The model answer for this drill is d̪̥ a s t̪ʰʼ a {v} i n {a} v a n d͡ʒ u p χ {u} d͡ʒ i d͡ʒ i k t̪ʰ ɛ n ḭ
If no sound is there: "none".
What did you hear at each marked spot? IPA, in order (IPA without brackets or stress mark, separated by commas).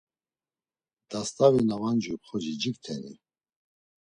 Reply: v, a, ɔ